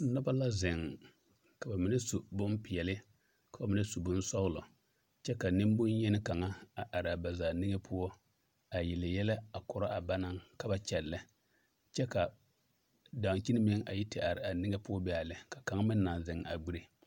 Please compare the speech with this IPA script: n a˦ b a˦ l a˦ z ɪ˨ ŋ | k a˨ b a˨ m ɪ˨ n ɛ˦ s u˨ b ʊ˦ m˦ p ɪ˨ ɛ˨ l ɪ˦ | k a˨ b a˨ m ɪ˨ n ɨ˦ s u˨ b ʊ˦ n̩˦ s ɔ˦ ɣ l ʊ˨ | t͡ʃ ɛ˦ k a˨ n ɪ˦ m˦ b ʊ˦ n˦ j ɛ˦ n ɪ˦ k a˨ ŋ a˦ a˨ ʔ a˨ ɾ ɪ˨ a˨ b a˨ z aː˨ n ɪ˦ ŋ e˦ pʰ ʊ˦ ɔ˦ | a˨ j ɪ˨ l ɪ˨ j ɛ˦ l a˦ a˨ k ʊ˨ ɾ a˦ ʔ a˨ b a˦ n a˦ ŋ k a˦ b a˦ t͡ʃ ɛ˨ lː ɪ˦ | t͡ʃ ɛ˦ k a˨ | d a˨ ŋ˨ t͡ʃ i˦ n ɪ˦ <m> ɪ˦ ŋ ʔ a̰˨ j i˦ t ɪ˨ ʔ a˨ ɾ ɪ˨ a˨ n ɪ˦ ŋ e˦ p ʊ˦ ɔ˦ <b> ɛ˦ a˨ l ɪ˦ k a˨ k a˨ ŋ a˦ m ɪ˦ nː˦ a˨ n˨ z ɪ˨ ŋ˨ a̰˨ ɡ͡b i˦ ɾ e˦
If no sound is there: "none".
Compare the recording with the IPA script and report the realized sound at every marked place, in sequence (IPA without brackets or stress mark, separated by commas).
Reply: m, b